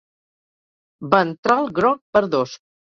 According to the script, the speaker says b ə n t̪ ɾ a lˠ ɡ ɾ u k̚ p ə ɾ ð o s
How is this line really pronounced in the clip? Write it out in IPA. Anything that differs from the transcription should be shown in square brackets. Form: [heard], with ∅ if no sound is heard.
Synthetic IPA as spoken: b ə n t̪ ɾ a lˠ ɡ ɾ [ɔ] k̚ p ə ɾ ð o s